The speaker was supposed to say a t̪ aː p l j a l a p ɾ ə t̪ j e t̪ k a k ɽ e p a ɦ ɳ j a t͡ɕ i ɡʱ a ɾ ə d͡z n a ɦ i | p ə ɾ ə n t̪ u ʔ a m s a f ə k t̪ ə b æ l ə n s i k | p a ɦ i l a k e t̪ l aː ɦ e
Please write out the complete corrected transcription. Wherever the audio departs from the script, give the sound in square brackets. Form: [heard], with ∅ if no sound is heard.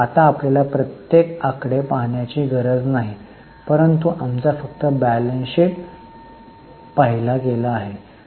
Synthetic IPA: a t̪ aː p l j a l a p ɾ ə t̪ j e [∅] k a k ɽ e p a ɦ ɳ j a t͡ɕ i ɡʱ [ə] ɾ ə d͡z n a ɦ i | p ə ɾ ə n t̪ u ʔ a m [t͡s] a f ə k t̪ ə b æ l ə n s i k | p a ɦ i l a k e [∅] l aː ɦ e